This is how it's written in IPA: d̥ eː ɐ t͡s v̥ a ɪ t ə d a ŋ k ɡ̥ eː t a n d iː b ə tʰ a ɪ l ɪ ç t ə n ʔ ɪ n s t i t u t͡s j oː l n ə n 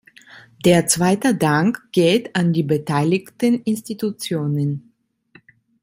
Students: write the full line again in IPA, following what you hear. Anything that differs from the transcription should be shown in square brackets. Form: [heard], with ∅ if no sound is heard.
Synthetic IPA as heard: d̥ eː ɐ t͡s v̥ a ɪ t ə d a ŋ k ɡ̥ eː t a n d iː b ə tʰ a ɪ l ɪ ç t ə n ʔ ɪ n s t i t u t͡s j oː [∅] n ə n